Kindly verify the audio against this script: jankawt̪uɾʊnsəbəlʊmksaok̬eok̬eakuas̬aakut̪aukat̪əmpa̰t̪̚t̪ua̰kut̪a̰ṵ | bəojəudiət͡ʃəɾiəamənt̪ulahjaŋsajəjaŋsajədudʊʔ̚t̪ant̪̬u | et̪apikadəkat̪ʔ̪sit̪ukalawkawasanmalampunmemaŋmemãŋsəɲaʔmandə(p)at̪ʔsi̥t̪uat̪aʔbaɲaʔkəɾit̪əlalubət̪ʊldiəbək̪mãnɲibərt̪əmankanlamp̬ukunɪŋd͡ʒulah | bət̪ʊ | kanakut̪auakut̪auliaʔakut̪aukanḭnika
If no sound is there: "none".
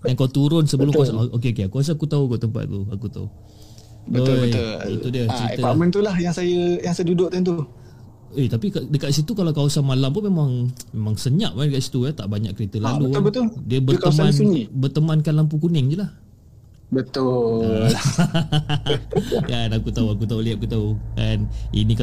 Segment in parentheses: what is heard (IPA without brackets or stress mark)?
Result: k